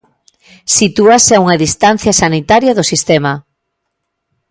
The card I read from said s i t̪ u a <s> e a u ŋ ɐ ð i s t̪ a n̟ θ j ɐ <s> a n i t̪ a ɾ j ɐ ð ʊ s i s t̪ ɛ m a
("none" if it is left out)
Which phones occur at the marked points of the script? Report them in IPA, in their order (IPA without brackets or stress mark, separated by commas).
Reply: s, s